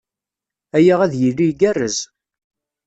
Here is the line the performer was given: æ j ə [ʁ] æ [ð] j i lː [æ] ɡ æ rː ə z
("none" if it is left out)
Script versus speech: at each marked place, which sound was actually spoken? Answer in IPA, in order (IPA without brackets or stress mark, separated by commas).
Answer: ʁ, ð, i